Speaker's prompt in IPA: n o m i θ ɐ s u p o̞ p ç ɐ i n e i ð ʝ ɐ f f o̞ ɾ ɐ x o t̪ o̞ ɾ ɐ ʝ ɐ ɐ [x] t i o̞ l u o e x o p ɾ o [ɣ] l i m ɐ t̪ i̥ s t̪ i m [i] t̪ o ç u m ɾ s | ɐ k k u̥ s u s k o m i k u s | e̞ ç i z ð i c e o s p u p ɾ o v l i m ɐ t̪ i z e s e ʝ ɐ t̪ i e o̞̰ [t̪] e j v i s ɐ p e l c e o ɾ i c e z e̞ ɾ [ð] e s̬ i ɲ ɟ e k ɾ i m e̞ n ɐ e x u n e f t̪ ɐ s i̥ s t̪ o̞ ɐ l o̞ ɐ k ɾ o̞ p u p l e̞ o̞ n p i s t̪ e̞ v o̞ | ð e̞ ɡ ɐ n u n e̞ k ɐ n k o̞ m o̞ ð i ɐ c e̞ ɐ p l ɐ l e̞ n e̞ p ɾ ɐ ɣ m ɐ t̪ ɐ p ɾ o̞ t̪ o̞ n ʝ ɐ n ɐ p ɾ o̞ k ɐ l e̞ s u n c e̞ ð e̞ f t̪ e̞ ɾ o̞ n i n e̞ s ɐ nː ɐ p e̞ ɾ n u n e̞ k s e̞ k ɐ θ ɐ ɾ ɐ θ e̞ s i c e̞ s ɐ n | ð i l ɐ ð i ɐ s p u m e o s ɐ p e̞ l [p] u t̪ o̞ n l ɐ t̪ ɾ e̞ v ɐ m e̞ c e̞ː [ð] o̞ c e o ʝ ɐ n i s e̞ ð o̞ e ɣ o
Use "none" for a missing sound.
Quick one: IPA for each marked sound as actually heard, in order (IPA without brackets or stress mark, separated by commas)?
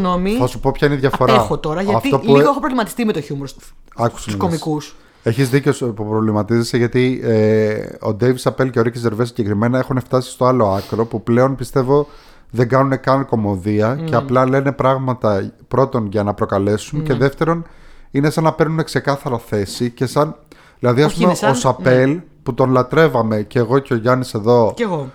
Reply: f, v, e, d̪, v, p, ɣ